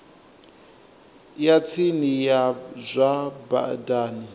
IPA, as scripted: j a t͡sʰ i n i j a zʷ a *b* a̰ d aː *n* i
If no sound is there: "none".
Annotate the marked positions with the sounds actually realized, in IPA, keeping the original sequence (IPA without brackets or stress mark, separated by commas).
b, n